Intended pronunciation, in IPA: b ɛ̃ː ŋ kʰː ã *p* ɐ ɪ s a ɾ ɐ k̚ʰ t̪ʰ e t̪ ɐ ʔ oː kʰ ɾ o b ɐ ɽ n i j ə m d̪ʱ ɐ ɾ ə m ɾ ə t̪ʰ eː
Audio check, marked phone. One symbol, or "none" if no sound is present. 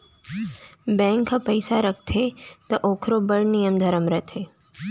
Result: p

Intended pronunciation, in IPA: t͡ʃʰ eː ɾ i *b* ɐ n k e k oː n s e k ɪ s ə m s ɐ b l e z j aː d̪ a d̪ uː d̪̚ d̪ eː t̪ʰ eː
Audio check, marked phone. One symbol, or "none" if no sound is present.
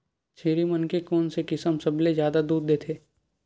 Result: m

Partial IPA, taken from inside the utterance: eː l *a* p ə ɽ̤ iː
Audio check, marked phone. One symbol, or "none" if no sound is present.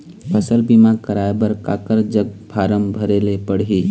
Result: e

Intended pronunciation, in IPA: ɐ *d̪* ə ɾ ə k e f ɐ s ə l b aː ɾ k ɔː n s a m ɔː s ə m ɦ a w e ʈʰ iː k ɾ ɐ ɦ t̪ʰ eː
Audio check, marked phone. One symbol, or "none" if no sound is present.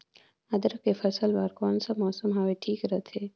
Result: d̪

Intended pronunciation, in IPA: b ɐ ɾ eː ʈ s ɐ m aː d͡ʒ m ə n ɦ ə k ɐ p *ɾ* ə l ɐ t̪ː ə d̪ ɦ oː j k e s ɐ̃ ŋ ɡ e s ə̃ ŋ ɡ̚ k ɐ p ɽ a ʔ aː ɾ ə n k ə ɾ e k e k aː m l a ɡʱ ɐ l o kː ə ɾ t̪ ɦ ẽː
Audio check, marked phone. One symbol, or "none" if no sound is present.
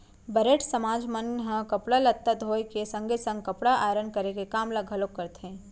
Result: ɽ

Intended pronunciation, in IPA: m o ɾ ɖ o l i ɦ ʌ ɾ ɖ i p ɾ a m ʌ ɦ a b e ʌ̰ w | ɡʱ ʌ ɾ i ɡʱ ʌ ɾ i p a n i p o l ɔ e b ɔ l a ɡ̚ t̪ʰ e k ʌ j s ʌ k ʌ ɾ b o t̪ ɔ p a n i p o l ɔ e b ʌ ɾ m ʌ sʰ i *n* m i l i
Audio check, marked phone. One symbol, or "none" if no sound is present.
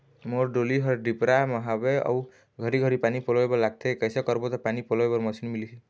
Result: n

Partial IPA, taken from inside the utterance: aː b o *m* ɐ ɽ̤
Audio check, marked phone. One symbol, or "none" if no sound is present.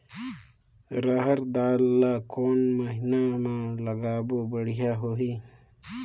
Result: b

